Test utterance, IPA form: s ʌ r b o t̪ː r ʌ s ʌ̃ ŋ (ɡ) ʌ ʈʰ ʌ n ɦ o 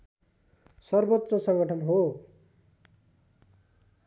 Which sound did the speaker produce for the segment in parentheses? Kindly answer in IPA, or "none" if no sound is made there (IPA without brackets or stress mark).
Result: ɡ